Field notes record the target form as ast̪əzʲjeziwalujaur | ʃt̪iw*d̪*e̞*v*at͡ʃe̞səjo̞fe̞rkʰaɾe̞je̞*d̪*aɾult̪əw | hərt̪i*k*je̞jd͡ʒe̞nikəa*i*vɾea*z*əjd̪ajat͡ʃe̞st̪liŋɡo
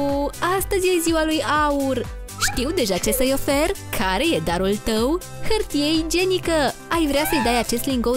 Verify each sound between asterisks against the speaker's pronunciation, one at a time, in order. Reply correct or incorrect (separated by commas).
correct, incorrect, correct, incorrect, incorrect, incorrect